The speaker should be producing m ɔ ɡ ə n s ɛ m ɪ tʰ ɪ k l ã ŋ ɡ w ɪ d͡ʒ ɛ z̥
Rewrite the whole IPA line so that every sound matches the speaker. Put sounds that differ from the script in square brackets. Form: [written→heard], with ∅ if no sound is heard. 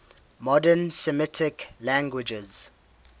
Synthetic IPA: m ɔ [ɡ→d] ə n s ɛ m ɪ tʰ ɪ k l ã ŋ ɡ w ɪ d͡ʒ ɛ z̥